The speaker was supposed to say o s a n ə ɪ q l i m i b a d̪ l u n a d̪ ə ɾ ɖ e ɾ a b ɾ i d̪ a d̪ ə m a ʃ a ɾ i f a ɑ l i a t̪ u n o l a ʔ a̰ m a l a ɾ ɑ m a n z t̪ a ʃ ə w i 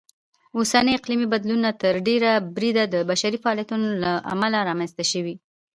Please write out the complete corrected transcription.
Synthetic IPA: o s a n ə ɪ q l i m i b a d̪ l u n a t̪ ə ɾ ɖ e ɾ a b ɾ i d̪ a d̪ ə b a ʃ a ɾ i f a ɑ l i a t̪ u n o l a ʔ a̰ m a l a ɾ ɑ m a n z t̪ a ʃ ə w i